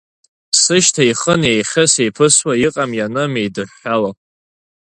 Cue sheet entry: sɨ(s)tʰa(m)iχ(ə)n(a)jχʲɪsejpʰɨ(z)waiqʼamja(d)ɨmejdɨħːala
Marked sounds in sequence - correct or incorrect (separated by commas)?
incorrect, incorrect, correct, incorrect, incorrect, incorrect